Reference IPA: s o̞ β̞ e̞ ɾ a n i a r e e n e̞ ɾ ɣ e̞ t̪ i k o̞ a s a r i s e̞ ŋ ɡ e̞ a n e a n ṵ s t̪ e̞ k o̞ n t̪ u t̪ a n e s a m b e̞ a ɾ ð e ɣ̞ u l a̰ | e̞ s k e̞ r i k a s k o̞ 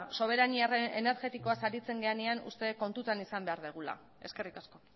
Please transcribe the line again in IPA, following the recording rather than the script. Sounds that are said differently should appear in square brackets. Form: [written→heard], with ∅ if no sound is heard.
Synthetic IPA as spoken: s o̞ β̞ e̞ ɾ a n i a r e e n e̞ ɾ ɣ e̞ t̪ i k o̞ a s a [r→ɾ] i [s→t͡s] e̞ ŋ ɡ e̞ a n e a n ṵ s t̪ e̞ k o̞ n t̪ u t̪ a n [e→i] s a m b e̞ a ɾ ð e ɣ̞ u l a̰ | e̞ s k e̞ r i k a s k o̞